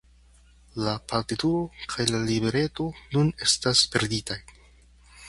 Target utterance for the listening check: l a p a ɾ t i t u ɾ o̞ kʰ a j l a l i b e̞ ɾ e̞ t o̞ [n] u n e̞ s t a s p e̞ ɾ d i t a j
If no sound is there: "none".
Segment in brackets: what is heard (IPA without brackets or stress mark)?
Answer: n